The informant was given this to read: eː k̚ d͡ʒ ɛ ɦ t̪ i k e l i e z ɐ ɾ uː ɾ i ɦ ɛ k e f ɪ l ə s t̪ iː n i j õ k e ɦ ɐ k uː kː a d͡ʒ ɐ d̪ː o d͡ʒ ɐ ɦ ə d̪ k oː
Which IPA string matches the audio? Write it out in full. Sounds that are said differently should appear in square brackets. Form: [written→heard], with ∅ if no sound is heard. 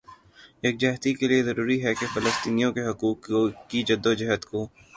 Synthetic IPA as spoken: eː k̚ d͡ʒ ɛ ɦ t̪ i k e l i e z ɐ ɾ uː ɾ i ɦ ɛ k e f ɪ l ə s t̪ iː n i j õ k e ɦ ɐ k uː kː [a→i] d͡ʒ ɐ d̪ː o d͡ʒ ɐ ɦ ə [d̪→t̪] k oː